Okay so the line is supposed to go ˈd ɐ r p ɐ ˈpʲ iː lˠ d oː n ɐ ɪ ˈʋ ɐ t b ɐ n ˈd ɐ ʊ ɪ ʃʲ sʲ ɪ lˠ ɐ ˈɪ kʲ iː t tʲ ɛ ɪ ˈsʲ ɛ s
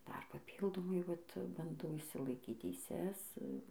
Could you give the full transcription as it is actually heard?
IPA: ˈd ɐ r p ɐ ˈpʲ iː lˠ d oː m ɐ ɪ ˈʋ ɐ t b ɐ n ˈd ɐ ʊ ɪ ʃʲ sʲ ɪ lˠ ɐ ˈɪ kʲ iː t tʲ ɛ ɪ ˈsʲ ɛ s